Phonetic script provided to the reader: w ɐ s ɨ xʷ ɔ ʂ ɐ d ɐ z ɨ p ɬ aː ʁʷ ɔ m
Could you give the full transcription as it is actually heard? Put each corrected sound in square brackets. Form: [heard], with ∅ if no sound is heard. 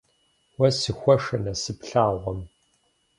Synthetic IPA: w ɐ s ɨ xʷ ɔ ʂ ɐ [n] ɐ [s] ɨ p ɬ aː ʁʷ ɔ m